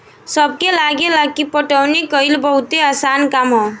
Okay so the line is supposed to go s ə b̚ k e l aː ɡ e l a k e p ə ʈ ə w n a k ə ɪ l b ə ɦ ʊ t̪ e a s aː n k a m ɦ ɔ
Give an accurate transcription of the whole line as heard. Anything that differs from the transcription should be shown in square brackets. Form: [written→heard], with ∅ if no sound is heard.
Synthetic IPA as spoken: s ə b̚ k e l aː ɡ e l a k [e→i] p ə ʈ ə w n [a→i] k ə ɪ l b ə ɦ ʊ t̪ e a s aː n k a m ɦ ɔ